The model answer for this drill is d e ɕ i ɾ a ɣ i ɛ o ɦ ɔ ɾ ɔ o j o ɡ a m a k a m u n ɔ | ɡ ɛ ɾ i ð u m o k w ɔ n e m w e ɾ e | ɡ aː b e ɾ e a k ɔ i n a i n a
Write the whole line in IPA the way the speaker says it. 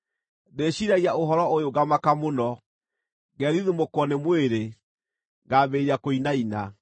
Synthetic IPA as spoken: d e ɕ i ɾ a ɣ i a o ɦ ɔ ɾ ɔ o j o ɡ a m a k a m o n ɔ | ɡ ɛ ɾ i ð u m o k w ɔ n e m w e ɾ e | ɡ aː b e ɾ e a k o i n a i n a